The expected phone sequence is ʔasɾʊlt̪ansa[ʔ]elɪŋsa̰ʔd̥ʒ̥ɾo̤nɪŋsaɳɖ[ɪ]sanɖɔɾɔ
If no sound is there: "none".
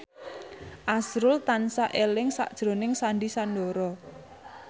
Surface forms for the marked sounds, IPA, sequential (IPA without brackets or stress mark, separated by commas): ʔ, i